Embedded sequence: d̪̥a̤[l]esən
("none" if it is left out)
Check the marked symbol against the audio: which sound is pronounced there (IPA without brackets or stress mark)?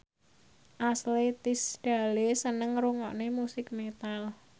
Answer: l